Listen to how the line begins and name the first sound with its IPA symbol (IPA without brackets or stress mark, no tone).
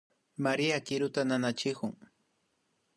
m